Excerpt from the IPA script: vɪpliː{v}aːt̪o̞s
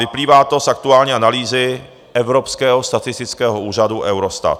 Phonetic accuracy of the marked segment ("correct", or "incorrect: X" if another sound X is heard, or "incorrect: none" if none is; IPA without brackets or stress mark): correct